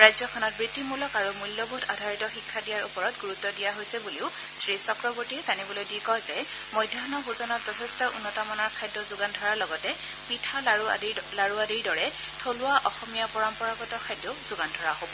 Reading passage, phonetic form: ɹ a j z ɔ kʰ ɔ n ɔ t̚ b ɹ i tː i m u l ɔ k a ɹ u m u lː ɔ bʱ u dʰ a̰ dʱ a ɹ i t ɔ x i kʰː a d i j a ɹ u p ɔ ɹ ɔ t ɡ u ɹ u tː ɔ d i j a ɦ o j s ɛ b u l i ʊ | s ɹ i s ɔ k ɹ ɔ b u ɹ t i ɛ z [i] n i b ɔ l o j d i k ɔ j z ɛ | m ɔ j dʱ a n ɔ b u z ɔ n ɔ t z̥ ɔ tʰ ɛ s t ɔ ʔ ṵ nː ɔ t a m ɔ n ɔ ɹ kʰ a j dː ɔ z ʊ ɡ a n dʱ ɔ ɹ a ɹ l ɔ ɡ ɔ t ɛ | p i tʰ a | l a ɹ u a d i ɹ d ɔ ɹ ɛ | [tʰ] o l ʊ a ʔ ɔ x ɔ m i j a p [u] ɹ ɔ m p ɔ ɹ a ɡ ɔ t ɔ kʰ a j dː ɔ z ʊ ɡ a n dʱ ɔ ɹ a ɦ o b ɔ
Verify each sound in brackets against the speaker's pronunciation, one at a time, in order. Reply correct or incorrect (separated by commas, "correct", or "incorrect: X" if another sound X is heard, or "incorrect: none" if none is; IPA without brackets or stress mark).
incorrect: a, correct, incorrect: ɔ